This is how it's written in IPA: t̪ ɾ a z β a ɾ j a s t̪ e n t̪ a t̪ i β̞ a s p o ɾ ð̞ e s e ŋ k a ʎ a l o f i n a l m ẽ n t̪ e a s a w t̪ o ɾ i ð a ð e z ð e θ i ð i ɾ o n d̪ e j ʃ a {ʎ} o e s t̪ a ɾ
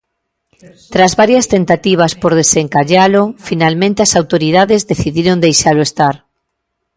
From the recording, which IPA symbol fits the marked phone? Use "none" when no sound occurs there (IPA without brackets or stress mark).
l